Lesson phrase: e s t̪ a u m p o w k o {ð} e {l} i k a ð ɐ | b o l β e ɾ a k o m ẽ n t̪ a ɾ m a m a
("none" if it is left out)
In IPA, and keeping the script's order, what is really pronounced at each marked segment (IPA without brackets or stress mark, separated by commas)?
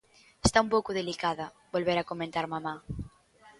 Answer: ð, l